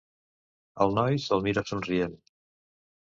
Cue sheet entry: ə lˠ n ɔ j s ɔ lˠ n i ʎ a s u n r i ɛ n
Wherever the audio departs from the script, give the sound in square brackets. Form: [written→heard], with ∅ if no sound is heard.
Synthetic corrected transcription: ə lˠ n ɔ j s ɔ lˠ [n→m] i [ʎ→ɾ] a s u n r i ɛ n

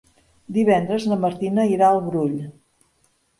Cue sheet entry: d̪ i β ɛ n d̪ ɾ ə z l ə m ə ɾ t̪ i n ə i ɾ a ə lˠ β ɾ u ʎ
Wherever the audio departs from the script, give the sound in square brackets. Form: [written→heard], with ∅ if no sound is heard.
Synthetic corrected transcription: d̪ i β ɛ n d̪ ɾ ə z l ə m ə ɾ t̪ i n ə i ɾ a ə lˠ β ɾ u ʎ

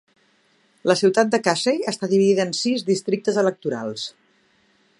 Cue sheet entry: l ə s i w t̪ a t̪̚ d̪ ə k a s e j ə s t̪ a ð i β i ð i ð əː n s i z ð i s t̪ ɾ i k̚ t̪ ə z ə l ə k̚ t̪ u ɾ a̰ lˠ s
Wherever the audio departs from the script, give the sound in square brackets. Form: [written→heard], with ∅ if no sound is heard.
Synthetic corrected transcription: l ə s i w t̪ a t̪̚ d̪ ə k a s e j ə s t̪ a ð i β i ð i ð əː n s i z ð i s t̪ ɾ i k̚ t̪ ə z ə l ə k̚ t̪ u ɾ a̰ lˠ s

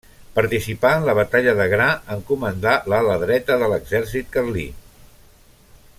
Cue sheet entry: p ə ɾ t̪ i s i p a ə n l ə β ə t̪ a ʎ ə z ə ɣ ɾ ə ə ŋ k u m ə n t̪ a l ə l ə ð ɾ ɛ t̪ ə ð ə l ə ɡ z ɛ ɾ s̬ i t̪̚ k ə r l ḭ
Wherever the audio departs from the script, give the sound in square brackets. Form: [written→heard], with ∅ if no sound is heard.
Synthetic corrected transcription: p ə ɾ t̪ i s i p a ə n l ə β ə t̪ a ʎ ə [z→ð] ə ɣ ɾ [ə→a] ə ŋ k u m ə n [t̪→d̪] a l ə l ə ð ɾ ɛ t̪ ə ð ə l ə ɡ z ɛ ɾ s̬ i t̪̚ k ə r l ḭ

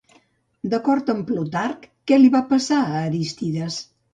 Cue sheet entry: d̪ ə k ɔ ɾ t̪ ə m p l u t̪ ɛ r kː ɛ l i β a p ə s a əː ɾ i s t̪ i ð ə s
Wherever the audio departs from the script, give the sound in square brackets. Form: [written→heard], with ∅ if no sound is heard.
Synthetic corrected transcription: d̪ ə k ɔ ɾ t̪ ə m p l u t̪ [ɛ→a] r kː ɛ l i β a p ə s a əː ɾ i s t̪ i ð ə s

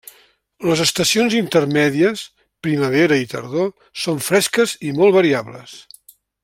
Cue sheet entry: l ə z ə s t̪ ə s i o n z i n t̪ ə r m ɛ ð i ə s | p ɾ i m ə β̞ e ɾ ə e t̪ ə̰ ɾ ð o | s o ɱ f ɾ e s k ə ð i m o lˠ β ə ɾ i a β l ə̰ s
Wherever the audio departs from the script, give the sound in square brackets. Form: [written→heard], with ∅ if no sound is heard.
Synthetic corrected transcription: l ə z ə s t̪ ə s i o n z i n t̪ ə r m ɛ ð i ə s | p ɾ i m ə β̞ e ɾ ə [e→i] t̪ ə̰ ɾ ð o | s o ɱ f ɾ [e→ɛ] s k ə [ð→z] i m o lˠ β ə ɾ i a β l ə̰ s

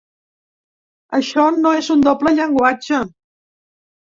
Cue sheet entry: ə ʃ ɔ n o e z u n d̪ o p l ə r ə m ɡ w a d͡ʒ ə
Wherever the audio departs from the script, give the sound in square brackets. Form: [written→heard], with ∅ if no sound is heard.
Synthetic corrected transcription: ə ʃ ɔ n o e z u n d̪ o p l ə [r→ʎ] ə [m→ŋ] ɡ w a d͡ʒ ə

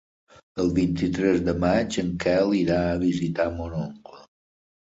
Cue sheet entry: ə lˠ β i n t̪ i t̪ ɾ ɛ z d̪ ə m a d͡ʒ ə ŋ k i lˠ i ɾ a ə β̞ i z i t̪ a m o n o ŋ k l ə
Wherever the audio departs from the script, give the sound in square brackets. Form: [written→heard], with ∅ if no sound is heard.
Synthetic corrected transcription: ə lˠ β i n t̪ i t̪ ɾ ɛ z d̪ ə m a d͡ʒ ə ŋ k [i→ɛ] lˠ i ɾ a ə β̞ i z i t̪ a m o n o ŋ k l ə

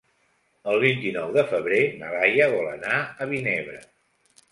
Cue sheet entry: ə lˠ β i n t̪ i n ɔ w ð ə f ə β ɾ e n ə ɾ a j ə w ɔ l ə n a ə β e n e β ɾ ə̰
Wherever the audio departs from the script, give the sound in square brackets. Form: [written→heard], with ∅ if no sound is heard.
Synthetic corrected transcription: ə lˠ β i n t̪ i n ɔ w ð ə f ə β ɾ e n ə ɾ a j ə [w→β] ɔ l ə n a ə β [e→i] n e β ɾ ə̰

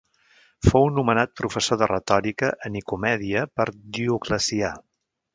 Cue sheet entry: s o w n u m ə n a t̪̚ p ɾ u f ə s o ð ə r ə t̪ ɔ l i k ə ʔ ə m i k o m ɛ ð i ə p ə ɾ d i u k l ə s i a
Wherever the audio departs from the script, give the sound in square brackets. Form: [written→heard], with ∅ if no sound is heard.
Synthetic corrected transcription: [s→f] o w n u m ə n a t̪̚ p ɾ u f ə s o ð ə r ə t̪ ɔ [l→ɾ] i k ə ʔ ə [m→n] i k [o→u] m ɛ ð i ə p ə ɾ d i u k l ə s i a

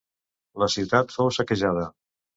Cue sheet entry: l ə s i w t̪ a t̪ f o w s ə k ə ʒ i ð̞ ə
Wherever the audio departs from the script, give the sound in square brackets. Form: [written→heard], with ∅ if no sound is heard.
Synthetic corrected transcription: l ə s i w t̪ a t̪ f o w s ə k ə ʒ [i→a] ð̞ ə

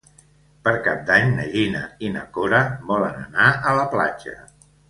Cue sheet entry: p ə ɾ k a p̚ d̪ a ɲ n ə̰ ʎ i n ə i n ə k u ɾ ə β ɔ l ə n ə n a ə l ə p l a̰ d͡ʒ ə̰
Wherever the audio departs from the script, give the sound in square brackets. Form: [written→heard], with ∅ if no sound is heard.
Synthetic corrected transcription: p ə ɾ k a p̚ d̪ a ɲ n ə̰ ʎ i n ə i n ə k [u→o] ɾ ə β ɔ l ə n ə n a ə l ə p l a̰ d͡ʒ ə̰

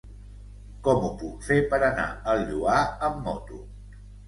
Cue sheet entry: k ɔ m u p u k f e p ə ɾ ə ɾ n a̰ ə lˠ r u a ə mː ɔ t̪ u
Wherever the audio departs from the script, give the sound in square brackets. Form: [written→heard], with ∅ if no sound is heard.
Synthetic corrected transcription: k ɔ m u p u k f e p ə ɾ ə [ɾ→∅] n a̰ ə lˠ [r→ʎ] u a ə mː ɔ t̪ u

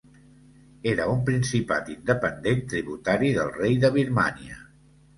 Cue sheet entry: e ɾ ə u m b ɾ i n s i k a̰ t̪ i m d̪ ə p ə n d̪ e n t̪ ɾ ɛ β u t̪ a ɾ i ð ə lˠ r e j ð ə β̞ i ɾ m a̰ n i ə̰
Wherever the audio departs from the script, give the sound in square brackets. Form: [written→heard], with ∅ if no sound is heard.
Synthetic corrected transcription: e ɾ ə u m [b→p] ɾ i n s i [k→p] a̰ t̪ i [m→n] d̪ ə p ə n d̪ e n t̪ ɾ [ɛ→i] β u t̪ a ɾ i ð ə lˠ r e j ð ə β̞ i ɾ m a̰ n i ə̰

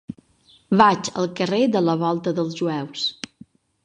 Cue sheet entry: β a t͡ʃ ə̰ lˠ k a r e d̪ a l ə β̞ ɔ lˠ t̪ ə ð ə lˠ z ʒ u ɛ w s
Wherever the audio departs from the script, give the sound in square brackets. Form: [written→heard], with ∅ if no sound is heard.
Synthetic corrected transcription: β a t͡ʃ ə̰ lˠ k [a→ə] r e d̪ [a→ə] l ə β̞ ɔ lˠ t̪ ə ð ə lˠ z ʒ u ɛ w s

